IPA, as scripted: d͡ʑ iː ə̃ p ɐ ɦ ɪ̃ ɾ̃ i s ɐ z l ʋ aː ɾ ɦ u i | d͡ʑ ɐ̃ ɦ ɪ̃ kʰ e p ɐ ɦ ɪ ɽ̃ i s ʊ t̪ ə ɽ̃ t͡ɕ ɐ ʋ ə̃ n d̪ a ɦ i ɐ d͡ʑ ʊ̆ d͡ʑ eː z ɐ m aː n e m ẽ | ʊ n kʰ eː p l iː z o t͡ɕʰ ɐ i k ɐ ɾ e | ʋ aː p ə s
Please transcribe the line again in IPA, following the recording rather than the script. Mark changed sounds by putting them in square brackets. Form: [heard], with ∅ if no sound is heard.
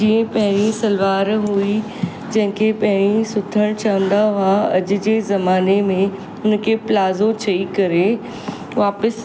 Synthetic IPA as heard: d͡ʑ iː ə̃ p ɐ ɦ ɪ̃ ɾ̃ i s ɐ [∅] l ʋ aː ɾ ɦ u i | d͡ʑ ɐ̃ ɦ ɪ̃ kʰ e p ɐ ɦ ɪ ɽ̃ i s ʊ [t̪ʰ] ə ɽ̃ t͡ɕ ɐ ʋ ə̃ n d̪ a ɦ [a] ɐ d͡ʑ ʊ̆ d͡ʑ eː z ɐ m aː n e m ẽ | ʊ n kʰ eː p l [aː] z o t͡ɕʰ ɐ i k ɐ ɾ e | ʋ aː p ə s

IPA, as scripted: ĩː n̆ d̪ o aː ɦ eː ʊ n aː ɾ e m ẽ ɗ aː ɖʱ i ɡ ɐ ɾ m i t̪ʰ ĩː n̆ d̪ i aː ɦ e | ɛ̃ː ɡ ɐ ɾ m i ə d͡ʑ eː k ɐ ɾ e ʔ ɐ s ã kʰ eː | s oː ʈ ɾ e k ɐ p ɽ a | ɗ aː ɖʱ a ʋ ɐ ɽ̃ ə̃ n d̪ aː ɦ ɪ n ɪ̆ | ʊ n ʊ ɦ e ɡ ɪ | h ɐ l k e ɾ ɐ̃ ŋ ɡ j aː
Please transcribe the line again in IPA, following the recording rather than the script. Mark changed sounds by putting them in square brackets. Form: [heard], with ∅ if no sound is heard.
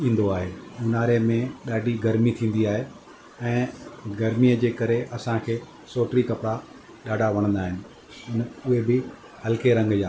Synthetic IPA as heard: ĩː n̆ d̪ o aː ɦ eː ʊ n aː ɾ e m ẽ ɗ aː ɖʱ i ɡ ɐ ɾ m i t̪ʰ ĩː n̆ d̪ i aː ɦ e | ɛ̃ː ɡ ɐ ɾ m i ə d͡ʑ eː k ɐ ɾ e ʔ ɐ s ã kʰ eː | s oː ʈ ɾ [i] k ɐ p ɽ a | ɗ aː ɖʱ a ʋ ɐ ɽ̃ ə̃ n d̪ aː ɦ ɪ n ɪ̆ | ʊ n ʊ ɦ e [b] ɪ | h ɐ l k e ɾ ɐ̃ ŋ ɡ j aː

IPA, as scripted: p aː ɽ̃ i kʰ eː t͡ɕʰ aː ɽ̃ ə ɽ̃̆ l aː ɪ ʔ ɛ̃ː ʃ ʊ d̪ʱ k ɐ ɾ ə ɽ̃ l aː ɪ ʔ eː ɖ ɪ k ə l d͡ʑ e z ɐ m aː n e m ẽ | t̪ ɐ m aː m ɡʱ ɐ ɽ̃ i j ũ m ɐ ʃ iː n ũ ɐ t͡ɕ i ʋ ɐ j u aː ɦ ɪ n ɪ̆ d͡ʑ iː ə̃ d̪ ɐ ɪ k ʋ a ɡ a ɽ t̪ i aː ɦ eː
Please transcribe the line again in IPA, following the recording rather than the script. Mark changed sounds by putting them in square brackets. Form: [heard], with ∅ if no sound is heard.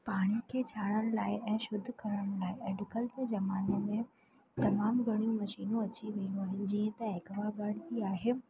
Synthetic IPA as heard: p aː ɽ̃ i kʰ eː t͡ɕʰ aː ɽ̃ ə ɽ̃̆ l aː ɪ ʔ ɛ̃ː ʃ ʊ d̪ʱ k ɐ ɾ ə ɽ̃ l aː ɪ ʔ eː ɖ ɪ k ə l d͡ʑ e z ɐ m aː n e m ẽ | t̪ ɐ m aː m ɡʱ ɐ ɽ̃ i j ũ m ɐ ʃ iː n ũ ɐ t͡ɕ i ʋ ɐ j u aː ɦ ɪ n ɪ̆ d͡ʑ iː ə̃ [t̪] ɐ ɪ k ʋ a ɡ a ɽ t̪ i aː ɦ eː

